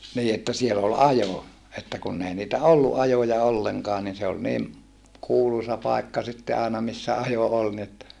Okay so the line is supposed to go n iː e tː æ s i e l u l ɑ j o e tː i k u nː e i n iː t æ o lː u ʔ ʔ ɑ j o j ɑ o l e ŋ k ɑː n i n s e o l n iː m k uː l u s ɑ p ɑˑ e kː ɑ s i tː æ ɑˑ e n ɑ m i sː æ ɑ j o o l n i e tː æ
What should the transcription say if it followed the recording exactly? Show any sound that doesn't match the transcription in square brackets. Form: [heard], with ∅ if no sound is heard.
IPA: n iː e tː æ s i e l [o] l ɑ j o e tː [æ] k u nː e i n iː t æ o lː u ʔ ʔ ɑ j o j ɑ o [lː] e ŋ k ɑː n i n s e o l n iː m k uː l u s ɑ p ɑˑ e kː ɑ s i tː [e] ɑˑ e n ɑ m i sː æ ɑ j o o l n i e tː æ